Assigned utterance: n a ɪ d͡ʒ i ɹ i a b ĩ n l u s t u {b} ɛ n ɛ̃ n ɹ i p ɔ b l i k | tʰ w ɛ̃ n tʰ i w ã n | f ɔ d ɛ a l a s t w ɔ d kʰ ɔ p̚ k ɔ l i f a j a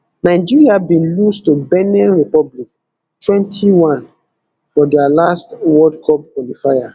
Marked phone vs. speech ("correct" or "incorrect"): correct